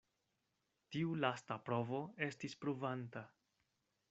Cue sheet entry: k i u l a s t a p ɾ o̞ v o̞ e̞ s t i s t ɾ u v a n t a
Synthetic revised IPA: t i u l a s t a p ɾ o̞ v o̞ e̞ s t i s p ɾ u v a n t a